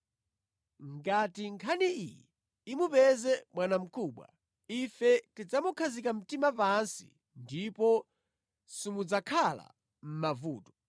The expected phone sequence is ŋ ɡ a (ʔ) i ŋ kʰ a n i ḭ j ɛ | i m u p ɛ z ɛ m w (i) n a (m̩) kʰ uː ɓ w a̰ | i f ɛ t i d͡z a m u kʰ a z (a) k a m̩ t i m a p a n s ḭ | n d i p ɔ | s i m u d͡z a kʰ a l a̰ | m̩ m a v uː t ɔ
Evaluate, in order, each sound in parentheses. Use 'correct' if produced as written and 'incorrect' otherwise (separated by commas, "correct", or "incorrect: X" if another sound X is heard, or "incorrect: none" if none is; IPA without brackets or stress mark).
incorrect: t, incorrect: a, correct, incorrect: i